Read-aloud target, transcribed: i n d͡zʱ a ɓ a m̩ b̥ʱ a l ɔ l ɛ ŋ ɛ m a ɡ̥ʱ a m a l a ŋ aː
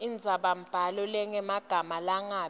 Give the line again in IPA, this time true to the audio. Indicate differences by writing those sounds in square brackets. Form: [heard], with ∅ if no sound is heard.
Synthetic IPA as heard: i n d͡zʱ a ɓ a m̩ b̥ʱ a l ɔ l ɛ ŋ ɛ m a ɡ̥ʱ a m a l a ŋ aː